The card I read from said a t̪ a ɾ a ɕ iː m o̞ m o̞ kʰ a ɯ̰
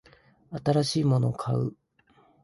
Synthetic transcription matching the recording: a t̪ a ɾ a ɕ iː m o̞ n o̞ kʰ a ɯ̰